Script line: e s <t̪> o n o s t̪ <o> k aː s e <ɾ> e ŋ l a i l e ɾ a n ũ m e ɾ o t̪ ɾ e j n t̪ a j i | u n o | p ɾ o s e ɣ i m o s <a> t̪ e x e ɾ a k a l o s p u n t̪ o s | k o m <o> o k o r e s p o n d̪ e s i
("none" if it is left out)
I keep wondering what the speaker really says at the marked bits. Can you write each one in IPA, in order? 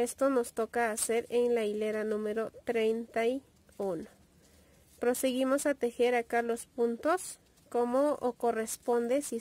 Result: t̪, o, ɾ, a, o

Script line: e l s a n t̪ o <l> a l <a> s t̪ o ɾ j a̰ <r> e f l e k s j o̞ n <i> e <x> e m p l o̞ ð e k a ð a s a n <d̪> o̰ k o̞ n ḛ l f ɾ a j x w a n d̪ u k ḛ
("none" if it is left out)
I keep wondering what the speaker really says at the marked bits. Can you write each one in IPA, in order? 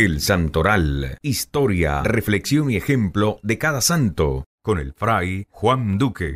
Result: ɾ, i, r, i, x, t̪

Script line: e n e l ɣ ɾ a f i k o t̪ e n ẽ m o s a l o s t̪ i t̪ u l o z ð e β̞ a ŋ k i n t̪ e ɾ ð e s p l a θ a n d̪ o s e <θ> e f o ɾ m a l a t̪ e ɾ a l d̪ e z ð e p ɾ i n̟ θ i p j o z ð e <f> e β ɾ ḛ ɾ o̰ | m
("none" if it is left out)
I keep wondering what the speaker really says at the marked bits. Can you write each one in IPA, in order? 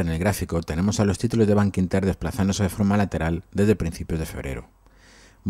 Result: ð, f

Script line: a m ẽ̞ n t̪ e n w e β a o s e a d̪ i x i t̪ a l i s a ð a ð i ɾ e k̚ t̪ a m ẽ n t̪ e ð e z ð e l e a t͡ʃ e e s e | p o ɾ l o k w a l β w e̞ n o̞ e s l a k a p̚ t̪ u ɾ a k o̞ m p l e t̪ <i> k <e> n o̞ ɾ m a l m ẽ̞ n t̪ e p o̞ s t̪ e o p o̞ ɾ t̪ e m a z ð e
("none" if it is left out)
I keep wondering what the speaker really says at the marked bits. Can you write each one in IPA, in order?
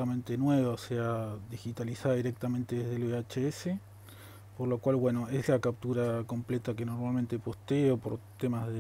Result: a, e

